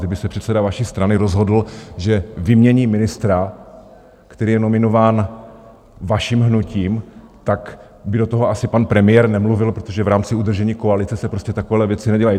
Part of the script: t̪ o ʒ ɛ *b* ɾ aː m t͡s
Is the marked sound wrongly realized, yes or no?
yes